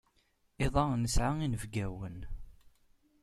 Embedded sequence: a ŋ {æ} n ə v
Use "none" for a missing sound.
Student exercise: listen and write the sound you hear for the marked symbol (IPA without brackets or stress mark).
i